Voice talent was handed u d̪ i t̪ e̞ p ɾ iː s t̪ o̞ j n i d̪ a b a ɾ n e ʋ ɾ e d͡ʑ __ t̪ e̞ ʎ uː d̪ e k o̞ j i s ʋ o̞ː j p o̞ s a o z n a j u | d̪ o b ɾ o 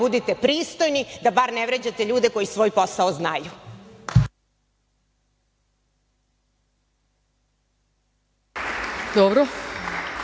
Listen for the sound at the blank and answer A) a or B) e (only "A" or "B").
A